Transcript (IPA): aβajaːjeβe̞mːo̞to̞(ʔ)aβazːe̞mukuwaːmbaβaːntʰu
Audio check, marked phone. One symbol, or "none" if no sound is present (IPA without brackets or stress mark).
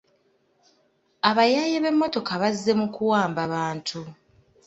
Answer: k